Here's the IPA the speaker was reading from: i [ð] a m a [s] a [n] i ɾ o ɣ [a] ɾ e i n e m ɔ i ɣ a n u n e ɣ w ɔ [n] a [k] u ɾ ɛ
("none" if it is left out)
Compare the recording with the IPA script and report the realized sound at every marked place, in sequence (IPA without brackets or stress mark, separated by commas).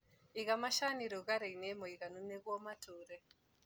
ɣ, ʃ, n, a, m, t